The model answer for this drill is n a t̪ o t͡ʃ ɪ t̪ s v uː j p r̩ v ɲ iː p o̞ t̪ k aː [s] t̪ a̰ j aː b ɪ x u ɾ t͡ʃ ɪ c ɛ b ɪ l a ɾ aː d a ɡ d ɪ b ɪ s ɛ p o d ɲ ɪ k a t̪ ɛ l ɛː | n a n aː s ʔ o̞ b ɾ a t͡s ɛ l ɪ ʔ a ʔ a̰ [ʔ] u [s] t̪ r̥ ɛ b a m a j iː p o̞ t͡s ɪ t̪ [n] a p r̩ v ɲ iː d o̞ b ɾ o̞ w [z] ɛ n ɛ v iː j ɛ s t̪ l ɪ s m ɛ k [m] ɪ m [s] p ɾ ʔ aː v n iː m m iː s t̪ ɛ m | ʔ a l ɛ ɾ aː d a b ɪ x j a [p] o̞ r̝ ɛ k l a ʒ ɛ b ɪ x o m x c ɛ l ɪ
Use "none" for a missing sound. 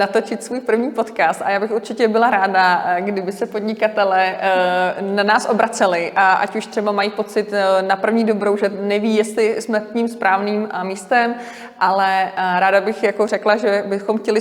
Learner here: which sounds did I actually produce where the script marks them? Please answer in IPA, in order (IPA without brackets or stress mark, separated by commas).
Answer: s, c, ʃ, n, ʒ, ɲ, s, k